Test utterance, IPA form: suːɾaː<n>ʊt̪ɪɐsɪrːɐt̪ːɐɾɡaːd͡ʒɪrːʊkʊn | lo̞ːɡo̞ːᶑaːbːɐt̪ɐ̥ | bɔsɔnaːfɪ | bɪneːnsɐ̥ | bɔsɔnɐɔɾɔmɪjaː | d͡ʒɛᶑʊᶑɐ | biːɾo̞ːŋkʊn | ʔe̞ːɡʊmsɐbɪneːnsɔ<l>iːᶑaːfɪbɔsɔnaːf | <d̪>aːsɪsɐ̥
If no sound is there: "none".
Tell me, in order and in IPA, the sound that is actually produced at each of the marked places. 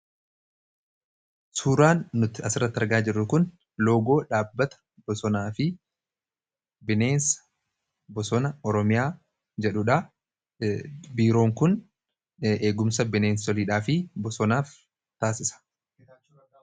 nː, l, t̪

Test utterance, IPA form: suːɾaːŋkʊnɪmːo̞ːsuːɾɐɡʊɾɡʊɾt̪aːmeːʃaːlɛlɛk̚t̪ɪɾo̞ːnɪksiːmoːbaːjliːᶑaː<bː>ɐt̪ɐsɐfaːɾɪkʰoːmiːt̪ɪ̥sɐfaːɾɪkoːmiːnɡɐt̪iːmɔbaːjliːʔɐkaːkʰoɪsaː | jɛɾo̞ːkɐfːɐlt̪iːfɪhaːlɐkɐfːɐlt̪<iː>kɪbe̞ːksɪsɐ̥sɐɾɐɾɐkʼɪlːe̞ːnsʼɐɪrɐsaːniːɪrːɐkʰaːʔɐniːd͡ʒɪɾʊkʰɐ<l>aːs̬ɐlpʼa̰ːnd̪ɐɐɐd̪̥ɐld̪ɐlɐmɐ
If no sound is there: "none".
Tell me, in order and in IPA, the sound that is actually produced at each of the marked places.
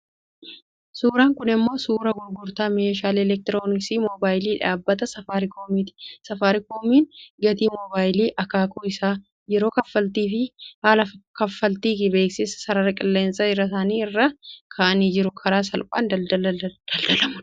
bː, iː, ɾ

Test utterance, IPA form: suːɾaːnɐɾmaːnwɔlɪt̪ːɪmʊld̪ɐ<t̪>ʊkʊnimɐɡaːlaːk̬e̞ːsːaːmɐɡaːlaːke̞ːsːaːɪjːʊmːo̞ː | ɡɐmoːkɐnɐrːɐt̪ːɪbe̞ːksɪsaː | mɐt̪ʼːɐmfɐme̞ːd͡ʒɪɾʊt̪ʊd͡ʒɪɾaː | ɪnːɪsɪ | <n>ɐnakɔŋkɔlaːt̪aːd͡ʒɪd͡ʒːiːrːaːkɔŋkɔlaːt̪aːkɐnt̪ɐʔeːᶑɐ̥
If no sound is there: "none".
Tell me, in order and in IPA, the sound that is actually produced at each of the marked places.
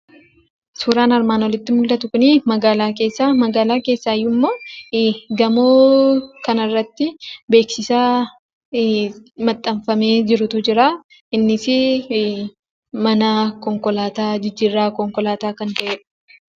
t̪, m

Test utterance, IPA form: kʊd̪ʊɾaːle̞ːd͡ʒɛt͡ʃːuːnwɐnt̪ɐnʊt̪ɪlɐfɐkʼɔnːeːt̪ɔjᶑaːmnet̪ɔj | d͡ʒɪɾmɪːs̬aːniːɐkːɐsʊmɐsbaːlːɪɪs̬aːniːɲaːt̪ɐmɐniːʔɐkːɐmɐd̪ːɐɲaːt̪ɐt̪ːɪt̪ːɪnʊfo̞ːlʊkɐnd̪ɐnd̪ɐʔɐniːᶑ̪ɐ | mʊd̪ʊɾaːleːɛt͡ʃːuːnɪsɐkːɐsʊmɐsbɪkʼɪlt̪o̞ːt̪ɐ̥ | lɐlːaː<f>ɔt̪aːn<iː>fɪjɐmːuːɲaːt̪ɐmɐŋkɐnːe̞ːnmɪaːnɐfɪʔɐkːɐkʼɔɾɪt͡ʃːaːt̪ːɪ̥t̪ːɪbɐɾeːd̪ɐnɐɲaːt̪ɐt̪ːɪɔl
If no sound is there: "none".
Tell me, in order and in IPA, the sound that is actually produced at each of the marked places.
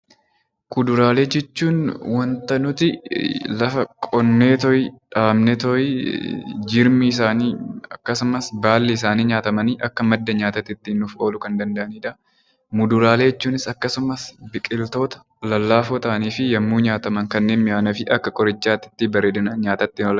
f, iː

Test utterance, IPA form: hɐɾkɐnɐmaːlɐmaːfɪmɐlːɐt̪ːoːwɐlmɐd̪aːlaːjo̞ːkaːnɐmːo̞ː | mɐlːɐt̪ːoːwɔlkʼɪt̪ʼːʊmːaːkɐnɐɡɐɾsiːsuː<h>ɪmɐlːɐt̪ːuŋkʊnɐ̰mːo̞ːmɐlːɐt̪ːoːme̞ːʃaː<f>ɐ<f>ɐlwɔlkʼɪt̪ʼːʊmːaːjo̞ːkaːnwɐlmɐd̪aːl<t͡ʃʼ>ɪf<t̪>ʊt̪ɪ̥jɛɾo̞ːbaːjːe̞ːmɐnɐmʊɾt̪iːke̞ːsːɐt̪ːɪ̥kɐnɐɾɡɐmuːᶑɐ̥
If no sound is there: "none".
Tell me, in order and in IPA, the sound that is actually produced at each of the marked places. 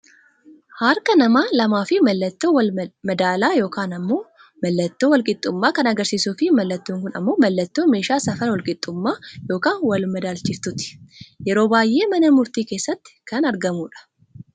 f, s, f, t͡ʃ, t̪

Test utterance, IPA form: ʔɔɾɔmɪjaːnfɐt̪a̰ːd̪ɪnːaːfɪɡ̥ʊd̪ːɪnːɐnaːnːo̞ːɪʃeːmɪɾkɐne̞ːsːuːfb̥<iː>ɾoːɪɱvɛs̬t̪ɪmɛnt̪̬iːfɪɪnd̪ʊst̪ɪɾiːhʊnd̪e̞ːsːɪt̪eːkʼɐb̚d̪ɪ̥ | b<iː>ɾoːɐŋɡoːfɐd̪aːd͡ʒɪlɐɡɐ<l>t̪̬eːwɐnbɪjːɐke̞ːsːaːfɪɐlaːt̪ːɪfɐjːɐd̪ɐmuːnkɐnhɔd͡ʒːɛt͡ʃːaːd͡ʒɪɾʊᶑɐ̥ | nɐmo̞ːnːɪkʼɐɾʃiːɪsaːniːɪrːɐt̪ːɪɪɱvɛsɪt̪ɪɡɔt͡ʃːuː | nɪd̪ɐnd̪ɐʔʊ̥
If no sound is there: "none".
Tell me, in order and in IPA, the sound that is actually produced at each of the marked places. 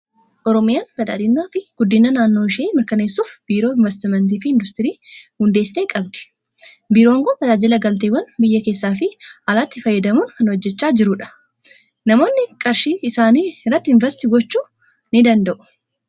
iː, iː, l

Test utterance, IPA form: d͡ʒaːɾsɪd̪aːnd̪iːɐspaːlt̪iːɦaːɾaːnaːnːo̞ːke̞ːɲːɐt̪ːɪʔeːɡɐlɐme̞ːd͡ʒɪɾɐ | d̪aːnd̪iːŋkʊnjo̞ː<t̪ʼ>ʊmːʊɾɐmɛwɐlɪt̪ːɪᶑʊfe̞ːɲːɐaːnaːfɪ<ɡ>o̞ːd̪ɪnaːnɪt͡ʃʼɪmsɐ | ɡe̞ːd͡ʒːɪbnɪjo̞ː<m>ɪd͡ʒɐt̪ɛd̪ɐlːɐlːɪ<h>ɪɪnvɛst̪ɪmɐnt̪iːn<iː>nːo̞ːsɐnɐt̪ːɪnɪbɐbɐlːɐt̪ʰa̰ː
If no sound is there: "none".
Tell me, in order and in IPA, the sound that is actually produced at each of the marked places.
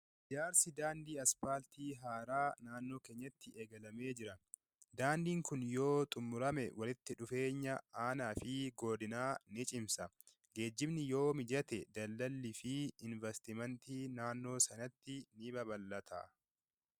t̪ʼ, ɡ, m, f, aː

